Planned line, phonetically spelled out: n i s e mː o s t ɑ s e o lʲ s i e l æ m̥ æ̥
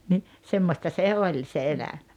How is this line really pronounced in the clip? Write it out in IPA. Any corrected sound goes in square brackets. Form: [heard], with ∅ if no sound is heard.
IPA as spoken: n i s e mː o s t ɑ s e o lʲ s [e] e l æ m̥ æ̥